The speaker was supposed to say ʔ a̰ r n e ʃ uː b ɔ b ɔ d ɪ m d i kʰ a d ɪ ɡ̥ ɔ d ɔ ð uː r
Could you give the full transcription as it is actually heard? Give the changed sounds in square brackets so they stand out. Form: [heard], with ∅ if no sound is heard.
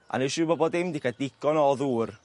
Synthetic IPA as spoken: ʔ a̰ [∅] n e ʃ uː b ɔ b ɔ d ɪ m d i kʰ a d ɪ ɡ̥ ɔ [n] ɔ ð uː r